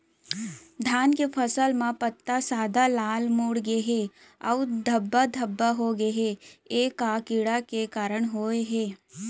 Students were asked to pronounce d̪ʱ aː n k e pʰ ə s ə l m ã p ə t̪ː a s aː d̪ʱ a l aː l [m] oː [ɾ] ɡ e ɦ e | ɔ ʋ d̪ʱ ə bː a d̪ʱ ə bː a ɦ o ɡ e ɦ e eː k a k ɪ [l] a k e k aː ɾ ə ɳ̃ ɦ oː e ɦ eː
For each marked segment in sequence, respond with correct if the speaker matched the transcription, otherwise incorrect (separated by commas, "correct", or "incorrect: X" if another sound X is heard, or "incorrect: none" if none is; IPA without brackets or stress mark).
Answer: correct, incorrect: ɽ, incorrect: ɽ